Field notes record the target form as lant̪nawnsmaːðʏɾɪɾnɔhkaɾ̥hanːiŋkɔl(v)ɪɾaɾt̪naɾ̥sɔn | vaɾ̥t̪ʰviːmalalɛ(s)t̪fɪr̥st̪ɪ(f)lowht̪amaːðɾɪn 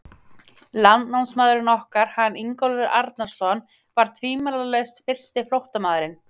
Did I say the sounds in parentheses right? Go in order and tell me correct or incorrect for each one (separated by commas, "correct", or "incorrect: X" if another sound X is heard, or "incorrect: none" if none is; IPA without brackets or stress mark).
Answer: correct, correct, correct